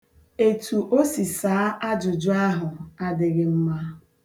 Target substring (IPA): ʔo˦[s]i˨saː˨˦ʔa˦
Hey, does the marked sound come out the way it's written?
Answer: yes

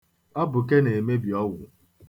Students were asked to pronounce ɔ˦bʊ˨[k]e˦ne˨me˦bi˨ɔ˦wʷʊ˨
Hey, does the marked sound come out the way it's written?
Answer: yes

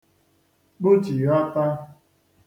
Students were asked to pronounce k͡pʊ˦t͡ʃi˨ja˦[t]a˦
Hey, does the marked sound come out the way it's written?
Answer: yes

